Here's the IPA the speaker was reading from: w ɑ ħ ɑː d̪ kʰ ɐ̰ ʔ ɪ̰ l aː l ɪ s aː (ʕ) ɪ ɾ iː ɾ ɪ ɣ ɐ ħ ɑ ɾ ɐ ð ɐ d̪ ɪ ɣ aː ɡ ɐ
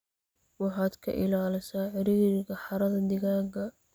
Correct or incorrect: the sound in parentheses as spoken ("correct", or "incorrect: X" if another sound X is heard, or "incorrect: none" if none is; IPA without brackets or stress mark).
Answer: correct